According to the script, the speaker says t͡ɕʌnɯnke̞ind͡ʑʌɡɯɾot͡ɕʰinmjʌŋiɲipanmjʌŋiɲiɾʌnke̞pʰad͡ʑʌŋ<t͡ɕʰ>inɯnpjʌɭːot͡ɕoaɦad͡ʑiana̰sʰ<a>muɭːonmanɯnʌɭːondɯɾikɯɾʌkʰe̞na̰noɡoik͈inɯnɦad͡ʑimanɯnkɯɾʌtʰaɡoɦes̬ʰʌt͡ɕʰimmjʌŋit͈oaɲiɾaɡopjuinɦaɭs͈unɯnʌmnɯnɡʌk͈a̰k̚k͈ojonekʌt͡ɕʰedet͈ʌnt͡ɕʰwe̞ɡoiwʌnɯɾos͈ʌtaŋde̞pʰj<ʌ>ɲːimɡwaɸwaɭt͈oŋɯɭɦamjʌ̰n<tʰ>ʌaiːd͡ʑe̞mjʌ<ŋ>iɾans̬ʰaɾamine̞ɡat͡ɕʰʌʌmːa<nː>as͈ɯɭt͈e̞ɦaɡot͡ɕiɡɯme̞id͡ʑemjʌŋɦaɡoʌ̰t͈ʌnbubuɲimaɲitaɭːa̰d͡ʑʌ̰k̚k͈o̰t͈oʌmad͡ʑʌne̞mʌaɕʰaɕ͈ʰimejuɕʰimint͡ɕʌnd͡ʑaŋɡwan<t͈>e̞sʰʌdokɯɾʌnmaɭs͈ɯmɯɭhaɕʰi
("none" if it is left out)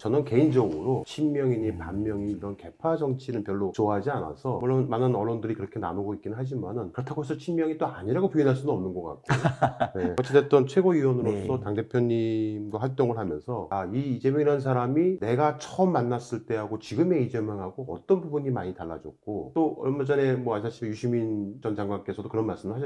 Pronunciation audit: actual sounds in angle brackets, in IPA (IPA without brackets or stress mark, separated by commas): t͡ɕʰ, ʌ, ʌ, sʰ, ŋ, nː, k͈